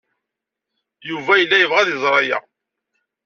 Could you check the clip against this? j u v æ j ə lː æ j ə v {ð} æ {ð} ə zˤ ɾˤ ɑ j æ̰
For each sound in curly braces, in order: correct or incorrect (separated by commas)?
incorrect, correct